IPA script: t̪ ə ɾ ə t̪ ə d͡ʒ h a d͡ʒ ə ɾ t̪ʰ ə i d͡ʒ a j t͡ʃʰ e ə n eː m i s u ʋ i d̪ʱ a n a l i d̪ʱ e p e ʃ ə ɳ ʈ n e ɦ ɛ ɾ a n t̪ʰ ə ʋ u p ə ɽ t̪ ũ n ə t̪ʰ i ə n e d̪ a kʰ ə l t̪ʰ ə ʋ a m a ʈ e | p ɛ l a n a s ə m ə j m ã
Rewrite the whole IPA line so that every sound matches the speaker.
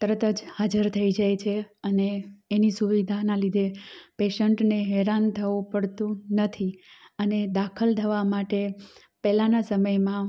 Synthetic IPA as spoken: t̪ ə ɾ ə t̪ ə d͡ʒ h a d͡ʒ ə ɾ t̪ʰ ə i d͡ʒ a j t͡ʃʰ e ə n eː n i s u ʋ i d̪ʱ a n a l i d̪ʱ e p e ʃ ə ɳ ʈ n e ɦ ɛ ɾ a n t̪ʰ ə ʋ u p ə ɽ t̪ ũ n ə t̪ʰ i ə n e d̪ a kʰ ə l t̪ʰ ə ʋ a m a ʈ e | p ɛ l a n a s ə m ə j m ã